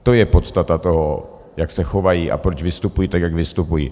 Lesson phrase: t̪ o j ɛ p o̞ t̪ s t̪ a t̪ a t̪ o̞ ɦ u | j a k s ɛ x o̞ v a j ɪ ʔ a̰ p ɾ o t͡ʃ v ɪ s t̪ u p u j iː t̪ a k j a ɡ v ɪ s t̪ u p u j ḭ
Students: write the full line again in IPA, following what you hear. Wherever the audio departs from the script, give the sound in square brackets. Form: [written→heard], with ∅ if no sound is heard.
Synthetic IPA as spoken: t̪ o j ɛ p o̞ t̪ s t̪ a t̪ a t̪ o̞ ɦ [u→o] | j a k s ɛ x o̞ v a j [ɪ→i] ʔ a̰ p ɾ o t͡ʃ v ɪ s t̪ u p u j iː t̪ a k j a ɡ v ɪ s t̪ u p u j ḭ